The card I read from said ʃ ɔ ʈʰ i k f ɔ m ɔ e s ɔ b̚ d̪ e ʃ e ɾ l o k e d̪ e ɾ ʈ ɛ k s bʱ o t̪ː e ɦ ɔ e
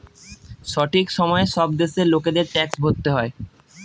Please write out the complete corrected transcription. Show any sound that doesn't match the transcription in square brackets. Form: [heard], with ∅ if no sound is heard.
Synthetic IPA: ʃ ɔ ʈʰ i k [ʃ] ɔ m ɔ e [ʃ] ɔ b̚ d̪ e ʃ e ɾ l o k e d̪ e ɾ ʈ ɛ k s bʱ o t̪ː e ɦ ɔ e